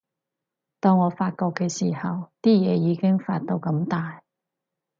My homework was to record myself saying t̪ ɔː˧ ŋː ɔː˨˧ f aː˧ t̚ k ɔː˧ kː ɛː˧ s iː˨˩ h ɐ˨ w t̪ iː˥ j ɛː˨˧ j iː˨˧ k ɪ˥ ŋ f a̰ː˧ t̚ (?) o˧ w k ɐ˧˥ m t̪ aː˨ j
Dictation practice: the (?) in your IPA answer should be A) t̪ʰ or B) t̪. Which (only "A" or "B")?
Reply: B